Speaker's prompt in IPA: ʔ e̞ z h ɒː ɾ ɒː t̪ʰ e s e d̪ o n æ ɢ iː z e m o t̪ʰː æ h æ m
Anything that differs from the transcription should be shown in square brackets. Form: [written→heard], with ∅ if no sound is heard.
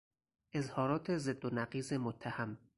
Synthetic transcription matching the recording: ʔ e̞ z h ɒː ɾ ɒː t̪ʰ e [s→z] e [d̪→d̪ː] o n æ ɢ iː z e m o t̪ʰː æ h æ m

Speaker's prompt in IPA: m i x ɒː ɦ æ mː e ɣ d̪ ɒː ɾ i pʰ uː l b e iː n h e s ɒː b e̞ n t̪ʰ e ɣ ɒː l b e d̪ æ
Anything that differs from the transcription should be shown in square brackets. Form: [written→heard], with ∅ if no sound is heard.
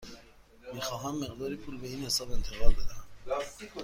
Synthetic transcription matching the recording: m i x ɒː ɦ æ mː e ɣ d̪ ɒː ɾ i pʰ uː l b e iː n h e s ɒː b e̞ n t̪ʰ e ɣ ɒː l b e d̪ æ

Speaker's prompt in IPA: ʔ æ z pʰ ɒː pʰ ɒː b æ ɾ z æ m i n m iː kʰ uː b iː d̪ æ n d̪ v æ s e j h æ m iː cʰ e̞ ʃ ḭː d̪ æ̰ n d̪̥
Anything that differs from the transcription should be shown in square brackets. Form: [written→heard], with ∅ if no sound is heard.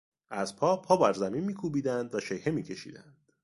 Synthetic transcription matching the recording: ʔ æ z pʰ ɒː pʰ ɒː b æ ɾ z æ m i n m iː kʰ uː b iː d̪ æ n d̪ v æ [s→ʃ] e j h [æ→e] m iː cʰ e̞ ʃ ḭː d̪ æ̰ n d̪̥

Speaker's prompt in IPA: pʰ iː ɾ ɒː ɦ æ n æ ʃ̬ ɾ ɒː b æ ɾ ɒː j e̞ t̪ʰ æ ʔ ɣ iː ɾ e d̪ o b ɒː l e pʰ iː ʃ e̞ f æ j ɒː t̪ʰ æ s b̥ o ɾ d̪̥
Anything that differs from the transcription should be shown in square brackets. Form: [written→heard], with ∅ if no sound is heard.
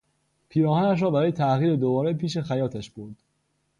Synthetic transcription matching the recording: pʰ iː ɾ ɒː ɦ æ n æ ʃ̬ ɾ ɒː b æ ɾ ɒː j e̞ t̪ʰ æ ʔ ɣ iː ɾ e d̪ o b ɒː [l→ɾ] e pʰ iː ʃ e̞ [f→x] æ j ɒː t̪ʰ æ [s→ʃ] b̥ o ɾ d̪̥

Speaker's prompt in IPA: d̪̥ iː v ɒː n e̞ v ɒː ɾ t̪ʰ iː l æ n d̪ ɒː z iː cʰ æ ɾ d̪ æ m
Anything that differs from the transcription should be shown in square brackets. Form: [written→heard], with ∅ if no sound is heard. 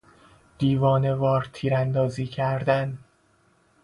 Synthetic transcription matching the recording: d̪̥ iː v ɒː n e̞ v ɒː ɾ t̪ʰ iː [l→ɾ] æ n d̪ ɒː z iː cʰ æ ɾ d̪ æ [m→n]

